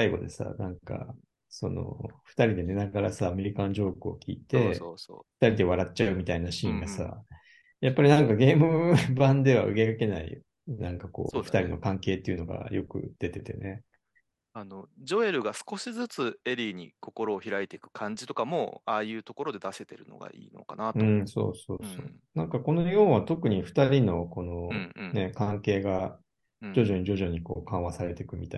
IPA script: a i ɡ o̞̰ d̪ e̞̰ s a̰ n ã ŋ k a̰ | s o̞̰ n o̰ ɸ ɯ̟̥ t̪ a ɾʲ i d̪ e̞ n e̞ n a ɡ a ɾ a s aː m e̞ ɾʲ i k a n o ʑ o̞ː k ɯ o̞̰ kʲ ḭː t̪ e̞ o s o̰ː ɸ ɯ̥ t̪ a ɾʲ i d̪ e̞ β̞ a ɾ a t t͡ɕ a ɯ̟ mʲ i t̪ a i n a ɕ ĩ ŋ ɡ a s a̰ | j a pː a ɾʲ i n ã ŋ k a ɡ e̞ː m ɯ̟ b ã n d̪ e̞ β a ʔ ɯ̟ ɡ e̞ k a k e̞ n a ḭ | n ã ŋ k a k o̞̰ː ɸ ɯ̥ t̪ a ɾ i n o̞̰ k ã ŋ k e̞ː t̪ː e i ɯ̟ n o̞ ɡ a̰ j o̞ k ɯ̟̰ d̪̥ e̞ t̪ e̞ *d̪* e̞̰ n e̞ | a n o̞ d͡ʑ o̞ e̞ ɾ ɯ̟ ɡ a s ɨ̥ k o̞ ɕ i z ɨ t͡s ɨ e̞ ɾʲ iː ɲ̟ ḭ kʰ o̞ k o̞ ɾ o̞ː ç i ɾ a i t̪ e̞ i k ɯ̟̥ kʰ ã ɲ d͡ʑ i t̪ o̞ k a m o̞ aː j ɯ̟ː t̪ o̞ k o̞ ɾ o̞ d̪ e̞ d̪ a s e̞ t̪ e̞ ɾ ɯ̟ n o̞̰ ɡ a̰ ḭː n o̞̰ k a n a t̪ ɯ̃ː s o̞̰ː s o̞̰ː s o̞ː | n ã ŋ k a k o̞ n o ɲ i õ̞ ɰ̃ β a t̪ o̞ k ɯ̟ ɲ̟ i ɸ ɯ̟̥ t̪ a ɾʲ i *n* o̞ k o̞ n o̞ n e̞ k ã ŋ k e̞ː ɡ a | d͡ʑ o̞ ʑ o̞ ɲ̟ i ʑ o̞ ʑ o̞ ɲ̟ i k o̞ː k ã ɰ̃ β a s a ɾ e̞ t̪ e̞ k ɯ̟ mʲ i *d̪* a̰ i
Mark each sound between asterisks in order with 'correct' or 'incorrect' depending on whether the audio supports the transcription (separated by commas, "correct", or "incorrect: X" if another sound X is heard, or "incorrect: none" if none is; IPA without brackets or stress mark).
incorrect: t̪, correct, incorrect: t̪